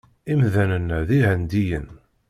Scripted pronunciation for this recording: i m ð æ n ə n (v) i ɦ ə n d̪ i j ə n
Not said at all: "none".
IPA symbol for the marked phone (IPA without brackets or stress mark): ð